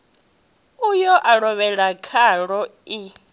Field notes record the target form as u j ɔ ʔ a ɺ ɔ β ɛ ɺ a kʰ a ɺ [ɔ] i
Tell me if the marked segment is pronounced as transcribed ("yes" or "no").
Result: yes